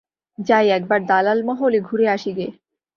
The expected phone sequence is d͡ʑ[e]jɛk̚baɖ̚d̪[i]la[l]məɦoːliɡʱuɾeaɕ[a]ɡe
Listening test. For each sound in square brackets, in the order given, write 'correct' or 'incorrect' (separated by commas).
incorrect, incorrect, correct, incorrect